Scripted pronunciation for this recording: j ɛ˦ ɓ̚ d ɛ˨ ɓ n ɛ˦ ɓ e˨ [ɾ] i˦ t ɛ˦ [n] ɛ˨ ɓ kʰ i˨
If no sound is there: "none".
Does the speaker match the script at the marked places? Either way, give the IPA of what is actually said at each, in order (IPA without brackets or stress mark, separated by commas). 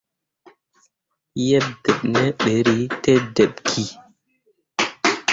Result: ɾ, d